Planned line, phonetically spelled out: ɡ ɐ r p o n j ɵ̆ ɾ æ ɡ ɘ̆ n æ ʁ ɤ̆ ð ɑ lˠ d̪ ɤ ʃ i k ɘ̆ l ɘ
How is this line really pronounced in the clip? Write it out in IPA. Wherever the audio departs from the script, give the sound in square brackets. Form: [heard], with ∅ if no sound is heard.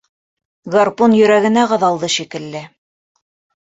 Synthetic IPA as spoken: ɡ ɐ r p o n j ɵ̆ ɾ æ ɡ ɘ̆ n æ ʁ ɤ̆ ð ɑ lˠ d̪ ɤ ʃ i k ɘ̆ [lː] ɘ